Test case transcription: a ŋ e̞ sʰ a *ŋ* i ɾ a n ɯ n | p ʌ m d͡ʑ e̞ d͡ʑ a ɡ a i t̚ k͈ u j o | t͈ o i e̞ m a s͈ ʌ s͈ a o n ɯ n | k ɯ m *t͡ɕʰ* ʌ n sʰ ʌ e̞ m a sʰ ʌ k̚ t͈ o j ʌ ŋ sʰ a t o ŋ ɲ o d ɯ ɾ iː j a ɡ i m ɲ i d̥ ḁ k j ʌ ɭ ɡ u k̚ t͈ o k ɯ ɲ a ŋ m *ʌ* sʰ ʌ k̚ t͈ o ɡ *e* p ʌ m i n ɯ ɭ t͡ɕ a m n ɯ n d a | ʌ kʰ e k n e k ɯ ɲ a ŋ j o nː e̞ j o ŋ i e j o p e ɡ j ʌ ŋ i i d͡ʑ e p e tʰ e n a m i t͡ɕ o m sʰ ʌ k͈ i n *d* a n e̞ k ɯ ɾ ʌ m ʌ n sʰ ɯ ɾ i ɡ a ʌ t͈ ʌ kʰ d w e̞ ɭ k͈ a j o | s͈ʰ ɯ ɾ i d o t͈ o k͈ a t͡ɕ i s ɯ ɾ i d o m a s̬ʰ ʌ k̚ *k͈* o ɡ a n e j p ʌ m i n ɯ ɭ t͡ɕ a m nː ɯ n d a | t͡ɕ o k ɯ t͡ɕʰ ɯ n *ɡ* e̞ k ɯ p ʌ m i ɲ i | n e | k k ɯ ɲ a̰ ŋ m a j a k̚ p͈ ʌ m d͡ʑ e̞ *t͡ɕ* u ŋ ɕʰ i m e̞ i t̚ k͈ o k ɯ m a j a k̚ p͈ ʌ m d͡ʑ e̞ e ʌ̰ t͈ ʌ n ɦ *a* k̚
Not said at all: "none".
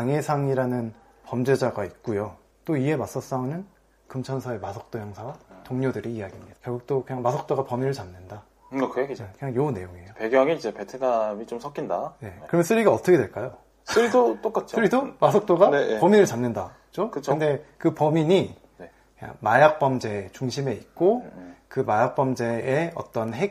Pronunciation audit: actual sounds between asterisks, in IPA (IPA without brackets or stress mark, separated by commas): ŋ, t͡ɕʰ, a, a, d, t͈, d, t͡ɕ, e